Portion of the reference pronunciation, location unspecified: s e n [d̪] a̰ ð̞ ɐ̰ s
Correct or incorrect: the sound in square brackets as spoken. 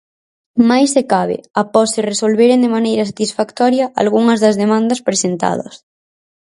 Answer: incorrect: t̪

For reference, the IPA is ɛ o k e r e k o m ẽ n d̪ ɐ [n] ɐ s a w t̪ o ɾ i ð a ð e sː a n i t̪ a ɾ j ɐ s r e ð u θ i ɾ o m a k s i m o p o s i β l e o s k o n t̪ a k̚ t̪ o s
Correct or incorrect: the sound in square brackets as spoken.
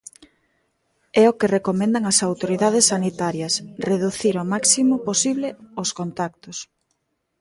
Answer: incorrect: ŋ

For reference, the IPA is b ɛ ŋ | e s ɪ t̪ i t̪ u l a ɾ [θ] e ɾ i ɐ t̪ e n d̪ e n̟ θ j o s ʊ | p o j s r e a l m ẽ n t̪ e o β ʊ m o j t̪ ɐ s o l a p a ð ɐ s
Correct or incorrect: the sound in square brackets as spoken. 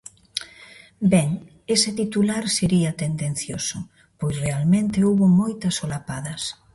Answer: incorrect: s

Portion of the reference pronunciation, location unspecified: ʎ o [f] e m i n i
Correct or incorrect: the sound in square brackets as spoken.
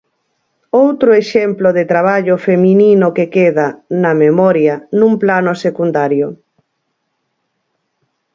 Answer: correct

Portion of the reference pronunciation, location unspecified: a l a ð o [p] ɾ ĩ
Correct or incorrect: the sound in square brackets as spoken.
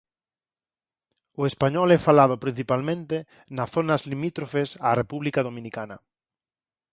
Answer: correct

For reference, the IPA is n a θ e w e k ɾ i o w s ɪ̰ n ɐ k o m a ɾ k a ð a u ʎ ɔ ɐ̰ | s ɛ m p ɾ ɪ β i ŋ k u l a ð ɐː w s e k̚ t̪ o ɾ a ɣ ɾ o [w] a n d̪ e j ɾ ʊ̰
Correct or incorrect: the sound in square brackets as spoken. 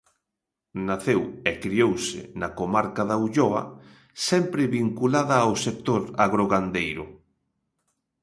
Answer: incorrect: ɣ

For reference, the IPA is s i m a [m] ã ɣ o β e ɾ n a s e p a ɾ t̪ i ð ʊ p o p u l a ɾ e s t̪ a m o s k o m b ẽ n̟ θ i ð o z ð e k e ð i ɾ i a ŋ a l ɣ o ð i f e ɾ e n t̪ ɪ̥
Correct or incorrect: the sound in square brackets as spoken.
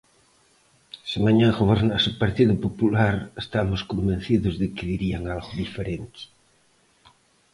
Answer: incorrect: ɲ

